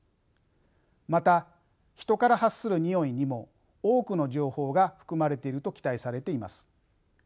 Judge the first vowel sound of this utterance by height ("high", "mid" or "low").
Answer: low